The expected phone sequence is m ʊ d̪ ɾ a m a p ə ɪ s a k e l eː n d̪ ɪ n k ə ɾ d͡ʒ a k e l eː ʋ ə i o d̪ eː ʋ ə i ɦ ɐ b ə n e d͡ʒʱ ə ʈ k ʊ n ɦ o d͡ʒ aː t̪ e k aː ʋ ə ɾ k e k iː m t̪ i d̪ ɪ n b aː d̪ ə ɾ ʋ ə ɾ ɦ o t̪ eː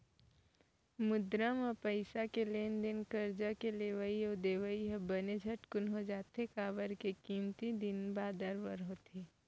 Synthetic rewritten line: m ʊ d̪ ɾ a m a p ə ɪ s a k e l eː n d̪ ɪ n k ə ɾ d͡ʒ a k e l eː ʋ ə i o d̪ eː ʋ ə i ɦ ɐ b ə n e d͡ʒʱ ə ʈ k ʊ n ɦ o d͡ʒ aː t̪ e k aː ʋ ə ɾ k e k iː m t̪ i d̪ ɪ n b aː d̪ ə ɾ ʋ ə ɾ ɦ o t̪ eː

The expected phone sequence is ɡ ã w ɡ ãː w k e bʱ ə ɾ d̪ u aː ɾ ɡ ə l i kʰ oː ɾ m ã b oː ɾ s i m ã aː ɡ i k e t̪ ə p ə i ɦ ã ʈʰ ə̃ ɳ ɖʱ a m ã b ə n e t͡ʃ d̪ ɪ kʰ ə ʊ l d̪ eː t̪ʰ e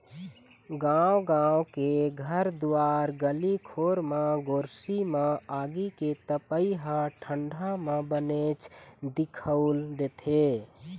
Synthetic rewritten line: ɡ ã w ɡ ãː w k e ɡʱ ə ɾ d̪ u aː ɾ ɡ ə l i kʰ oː ɾ m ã ɡ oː ɾ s i m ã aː ɡ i k e t̪ ə p ə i ɦ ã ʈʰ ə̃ ɳ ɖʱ a m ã b ə n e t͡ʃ d̪ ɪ kʰ ə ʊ l d̪ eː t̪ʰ e

